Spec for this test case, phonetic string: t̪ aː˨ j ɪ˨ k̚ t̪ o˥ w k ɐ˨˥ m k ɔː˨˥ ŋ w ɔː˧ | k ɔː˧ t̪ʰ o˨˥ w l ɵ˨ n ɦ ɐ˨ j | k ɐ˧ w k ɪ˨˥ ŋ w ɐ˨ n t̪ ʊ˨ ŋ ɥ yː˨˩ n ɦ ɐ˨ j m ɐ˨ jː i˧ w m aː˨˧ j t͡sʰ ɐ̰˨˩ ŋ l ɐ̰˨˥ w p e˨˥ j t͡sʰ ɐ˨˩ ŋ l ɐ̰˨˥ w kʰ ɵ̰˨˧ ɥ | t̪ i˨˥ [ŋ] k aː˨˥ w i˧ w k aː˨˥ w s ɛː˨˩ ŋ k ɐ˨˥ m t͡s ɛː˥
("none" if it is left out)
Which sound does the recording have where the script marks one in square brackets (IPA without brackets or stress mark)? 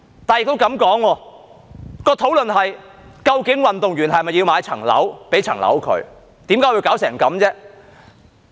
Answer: m